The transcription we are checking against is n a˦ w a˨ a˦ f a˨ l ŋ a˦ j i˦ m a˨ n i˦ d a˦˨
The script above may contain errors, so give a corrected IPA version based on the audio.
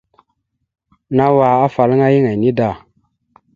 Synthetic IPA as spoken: n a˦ w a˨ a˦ f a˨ l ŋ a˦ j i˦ ŋ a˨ n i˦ d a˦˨